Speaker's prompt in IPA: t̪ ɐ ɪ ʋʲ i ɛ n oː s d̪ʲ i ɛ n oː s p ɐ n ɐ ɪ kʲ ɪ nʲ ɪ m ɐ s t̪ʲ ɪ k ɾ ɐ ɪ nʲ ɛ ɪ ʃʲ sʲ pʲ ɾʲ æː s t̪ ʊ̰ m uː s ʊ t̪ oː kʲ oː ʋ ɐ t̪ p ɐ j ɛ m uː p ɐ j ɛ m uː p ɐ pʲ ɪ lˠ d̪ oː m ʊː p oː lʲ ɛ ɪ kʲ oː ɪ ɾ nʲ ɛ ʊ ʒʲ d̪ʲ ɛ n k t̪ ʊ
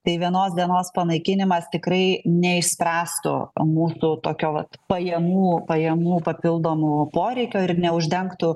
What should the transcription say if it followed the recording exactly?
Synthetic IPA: t̪ ɐ ɪ ʋʲ i ɛ n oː s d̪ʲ i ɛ n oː s p ɐ n ɐ ɪ kʲ ɪ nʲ ɪ m ɐ s t̪ʲ ɪ k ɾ ɐ ɪ nʲ ɛ ɪ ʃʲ sʲ pʲ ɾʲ æː s t̪ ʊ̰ m uː s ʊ t̪ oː kʲ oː ʋ ɐ t̪ p ɐ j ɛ m uː p ɐ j ɛ m uː p ɐ pʲ ɪ lˠ d̪ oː m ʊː p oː ɾʲ ɛ ɪ kʲ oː ɪ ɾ nʲ ɛ ʊ ʒʲ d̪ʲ ɛ ŋ k t̪ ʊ